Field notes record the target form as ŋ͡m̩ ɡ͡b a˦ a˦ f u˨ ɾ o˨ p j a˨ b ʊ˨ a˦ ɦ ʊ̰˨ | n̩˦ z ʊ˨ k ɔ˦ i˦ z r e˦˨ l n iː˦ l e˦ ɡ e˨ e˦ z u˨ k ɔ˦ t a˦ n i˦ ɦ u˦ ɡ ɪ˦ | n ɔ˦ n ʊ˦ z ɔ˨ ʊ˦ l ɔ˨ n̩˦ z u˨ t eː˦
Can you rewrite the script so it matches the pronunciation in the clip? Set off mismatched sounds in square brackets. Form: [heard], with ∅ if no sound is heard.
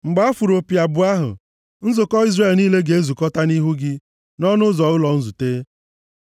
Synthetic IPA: ŋ͡m̩ ɡ͡b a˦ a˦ f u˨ ɾ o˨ p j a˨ b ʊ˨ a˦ ɦ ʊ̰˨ | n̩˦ z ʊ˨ k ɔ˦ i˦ z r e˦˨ l n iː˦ l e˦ ɡ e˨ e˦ z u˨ k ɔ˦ t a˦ n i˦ ɦ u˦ ɡ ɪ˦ | n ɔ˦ n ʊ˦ z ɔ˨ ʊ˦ l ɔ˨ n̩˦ z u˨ t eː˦